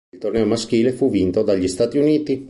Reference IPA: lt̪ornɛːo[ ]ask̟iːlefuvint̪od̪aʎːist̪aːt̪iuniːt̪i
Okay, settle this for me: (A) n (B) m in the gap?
B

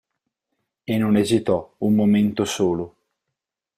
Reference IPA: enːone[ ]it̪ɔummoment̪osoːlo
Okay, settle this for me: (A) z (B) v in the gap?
A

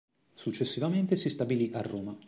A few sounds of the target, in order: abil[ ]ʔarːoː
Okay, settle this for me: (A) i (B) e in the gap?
A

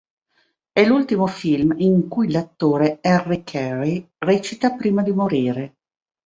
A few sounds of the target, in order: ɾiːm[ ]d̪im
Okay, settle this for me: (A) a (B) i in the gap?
A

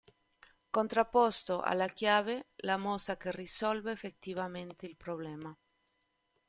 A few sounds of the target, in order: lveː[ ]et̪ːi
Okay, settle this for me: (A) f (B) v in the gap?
A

